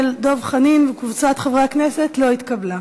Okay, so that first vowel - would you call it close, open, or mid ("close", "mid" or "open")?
mid